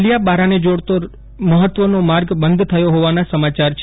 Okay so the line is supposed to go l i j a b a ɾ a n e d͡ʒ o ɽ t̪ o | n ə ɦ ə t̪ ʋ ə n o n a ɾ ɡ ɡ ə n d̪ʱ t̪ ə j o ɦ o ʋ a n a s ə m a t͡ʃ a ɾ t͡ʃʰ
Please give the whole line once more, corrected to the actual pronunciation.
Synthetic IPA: l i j a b a ɾ a n e d͡ʒ o ɽ t̪ o | m ə ɦ ə t̪ ʋ ə n o m a ɾ ɡ b ə n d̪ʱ t̪ʰ ə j o ɦ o ʋ a n a s ə m a t͡ʃ a ɾ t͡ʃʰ

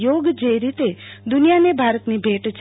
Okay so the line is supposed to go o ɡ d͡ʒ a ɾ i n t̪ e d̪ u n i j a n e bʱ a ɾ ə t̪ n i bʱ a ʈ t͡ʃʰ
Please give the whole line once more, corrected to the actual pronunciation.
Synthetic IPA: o ɡ d͡ʒ e ɾ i t̪ e d̪ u n i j a n e bʱ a ɾ ə t̪ n i bʱ e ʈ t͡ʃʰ

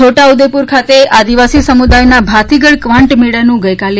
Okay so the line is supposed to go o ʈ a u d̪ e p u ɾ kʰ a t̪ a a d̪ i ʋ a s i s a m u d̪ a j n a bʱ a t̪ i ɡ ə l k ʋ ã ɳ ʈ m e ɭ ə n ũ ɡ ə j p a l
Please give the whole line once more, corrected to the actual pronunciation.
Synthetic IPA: o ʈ a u d̪ e p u ɾ kʰ a t̪ e a d̪ i ʋ a s i s ə m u d̪ a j n a bʱ a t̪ i ɡ ə ɭ k ʋ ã ɳ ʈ m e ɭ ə n ũ ɡ ə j k a l

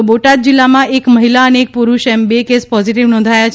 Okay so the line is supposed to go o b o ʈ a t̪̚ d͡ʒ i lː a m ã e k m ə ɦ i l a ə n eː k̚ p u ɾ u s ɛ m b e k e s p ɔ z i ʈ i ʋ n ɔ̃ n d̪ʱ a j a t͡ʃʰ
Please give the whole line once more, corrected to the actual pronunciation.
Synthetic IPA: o b o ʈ a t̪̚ d͡ʒ i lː a m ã e k m ə ɦ i l a ə n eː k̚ p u ɾ u ʃ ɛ m b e k e s p ɔ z i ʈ i ʋ n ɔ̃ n d̪ʱ a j a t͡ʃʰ

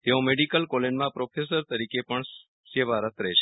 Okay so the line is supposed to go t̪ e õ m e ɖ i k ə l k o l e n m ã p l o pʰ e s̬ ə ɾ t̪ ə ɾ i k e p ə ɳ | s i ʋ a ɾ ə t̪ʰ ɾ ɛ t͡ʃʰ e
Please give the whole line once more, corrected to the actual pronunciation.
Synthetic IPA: t̪ e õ m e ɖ i k ə l k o l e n m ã p ɾ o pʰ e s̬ ə ɾ t̪ ə ɾ i k e p ə ɳ | s e ʋ a ɾ ə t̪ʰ ɾ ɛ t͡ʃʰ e

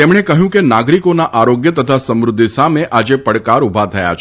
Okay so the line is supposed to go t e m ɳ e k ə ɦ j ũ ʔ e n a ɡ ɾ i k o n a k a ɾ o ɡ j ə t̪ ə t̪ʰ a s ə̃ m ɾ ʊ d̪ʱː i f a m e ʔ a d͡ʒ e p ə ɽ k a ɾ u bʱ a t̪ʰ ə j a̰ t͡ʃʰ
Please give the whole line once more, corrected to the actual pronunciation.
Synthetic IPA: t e m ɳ e k ə ɦ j ũ k e n a ɡ ɾ i k o n a ʔ a ɾ o ɡ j ə t̪ ə t̪ʰ a s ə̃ m ɾ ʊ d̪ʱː i s a m e ʔ a d͡ʒ e p ə ɽ k a ɾ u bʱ a t̪ʰ ə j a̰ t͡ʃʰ

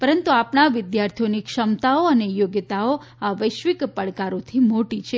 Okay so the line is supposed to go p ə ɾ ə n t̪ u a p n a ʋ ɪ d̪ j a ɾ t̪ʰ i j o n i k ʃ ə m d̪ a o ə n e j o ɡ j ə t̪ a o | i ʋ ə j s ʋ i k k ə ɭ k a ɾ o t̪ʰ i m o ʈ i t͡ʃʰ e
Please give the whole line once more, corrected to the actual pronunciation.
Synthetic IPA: p ə ɾ ə n t̪ u a p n a ʋ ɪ d̪ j a ɾ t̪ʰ i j o n i k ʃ ə m t̪ a o ə n e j o ɡ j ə t̪ a o | a ʋ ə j ʃ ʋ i k p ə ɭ k a ɾ o t̪ʰ i m o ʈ i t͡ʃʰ e

